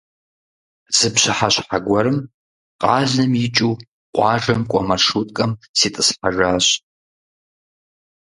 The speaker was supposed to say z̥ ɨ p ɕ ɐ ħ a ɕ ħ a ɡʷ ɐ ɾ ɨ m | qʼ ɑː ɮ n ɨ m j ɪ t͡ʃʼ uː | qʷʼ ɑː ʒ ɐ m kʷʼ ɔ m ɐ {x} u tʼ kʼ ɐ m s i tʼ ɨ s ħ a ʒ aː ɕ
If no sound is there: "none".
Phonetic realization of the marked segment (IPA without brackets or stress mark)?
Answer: ʂ